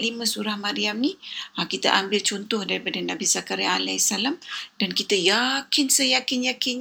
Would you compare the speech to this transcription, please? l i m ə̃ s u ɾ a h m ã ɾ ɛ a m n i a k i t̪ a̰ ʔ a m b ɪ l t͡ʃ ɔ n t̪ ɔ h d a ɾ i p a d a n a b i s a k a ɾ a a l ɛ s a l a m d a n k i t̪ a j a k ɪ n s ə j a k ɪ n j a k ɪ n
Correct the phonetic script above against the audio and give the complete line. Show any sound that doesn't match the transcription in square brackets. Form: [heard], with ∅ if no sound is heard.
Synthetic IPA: l i m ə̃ s u ɾ a h m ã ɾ [i] a m n i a k i t̪ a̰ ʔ a m b ɪ l t͡ʃ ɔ n t̪ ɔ h d a ɾ i p a d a n a b i s a k a ɾ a a l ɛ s a l a m d a n k i t̪ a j a k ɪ n s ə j a k ɪ n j a k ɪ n